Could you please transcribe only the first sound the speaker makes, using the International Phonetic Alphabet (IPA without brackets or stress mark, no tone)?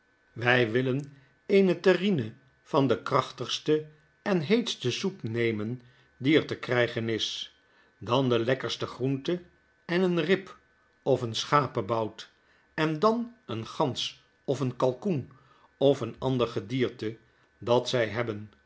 ʋ